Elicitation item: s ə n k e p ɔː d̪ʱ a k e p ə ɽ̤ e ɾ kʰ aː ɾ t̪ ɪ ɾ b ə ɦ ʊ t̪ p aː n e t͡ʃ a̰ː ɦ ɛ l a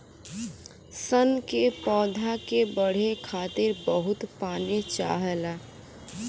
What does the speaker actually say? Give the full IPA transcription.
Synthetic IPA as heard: s ə n k e p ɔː d̪ʱ a k e b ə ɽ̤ e kʰ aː t̪ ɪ ɾ b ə ɦ ʊ t̪ p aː n e t͡ʃ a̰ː ɦ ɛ l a